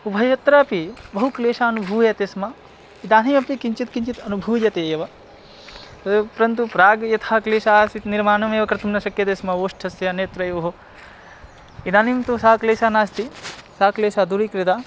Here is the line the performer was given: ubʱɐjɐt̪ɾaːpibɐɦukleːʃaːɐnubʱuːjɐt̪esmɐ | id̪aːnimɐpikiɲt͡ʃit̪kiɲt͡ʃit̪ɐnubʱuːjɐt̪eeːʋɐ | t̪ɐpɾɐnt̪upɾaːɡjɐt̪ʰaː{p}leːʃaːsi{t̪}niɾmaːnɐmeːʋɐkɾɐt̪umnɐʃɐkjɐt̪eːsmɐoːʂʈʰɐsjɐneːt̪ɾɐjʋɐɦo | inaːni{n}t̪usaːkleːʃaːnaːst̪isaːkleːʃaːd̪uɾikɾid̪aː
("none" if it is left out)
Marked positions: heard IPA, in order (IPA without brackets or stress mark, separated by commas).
k, t̪, m